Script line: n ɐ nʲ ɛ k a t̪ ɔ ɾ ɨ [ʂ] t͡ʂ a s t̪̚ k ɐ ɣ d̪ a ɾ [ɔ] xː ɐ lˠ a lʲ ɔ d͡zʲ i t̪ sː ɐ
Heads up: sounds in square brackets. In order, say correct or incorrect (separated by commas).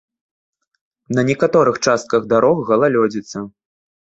incorrect, correct